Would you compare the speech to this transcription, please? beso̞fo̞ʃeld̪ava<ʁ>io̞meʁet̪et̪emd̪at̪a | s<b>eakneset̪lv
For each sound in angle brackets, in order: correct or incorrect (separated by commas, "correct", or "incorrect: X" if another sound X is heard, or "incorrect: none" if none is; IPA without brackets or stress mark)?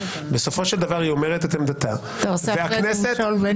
correct, incorrect: v